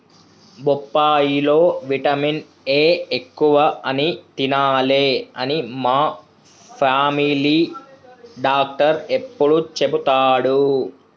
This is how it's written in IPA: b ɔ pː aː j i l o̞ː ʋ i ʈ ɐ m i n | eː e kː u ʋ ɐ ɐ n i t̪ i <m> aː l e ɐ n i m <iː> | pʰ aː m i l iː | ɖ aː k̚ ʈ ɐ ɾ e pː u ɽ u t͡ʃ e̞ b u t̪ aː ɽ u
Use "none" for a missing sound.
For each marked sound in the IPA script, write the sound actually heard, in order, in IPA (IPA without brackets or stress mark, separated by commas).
n, aː